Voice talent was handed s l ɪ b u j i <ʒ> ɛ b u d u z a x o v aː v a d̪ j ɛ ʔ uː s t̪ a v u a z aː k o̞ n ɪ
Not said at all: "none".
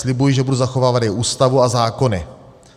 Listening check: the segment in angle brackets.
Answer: ʒ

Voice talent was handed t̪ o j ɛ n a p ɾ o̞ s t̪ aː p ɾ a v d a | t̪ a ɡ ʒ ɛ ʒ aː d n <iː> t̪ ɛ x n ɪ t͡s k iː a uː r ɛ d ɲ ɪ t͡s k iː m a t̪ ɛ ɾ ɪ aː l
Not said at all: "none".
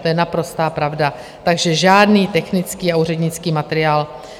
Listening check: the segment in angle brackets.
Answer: iː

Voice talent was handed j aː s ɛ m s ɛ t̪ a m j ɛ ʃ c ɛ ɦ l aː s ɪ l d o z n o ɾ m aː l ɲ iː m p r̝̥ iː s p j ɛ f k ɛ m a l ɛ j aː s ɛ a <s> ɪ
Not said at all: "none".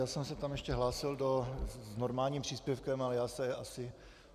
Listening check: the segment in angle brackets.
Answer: s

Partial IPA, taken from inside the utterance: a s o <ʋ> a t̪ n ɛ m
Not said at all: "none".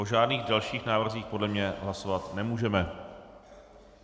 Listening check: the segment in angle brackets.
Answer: v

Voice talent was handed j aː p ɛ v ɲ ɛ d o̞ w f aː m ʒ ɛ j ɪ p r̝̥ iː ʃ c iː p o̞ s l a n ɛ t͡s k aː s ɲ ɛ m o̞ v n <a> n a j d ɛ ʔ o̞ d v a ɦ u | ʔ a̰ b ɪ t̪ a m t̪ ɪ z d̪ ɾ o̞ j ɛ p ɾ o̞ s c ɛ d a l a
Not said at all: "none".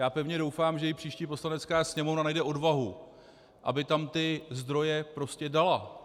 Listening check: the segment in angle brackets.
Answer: a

